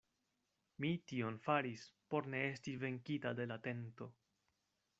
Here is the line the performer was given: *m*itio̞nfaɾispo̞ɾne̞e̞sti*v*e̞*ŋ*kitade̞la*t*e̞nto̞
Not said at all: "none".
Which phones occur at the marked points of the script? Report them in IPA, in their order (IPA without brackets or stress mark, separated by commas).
m, v, ŋ, t